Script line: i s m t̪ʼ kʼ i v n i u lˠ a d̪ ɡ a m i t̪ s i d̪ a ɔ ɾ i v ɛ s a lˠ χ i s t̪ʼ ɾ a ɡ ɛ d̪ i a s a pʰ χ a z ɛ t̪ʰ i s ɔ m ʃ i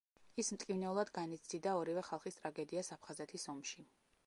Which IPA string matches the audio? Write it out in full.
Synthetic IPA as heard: i s m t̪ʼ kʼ i v n ɛ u lˠ a d̪ ɡ a n i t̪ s i d̪ a ɔ ɾ i v ɛ χ a lˠ χ i s t̪ʼ ɾ a ɡ ɛ d̪ i a s a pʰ χ a z ɛ t̪ʰ i s ɔ m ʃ i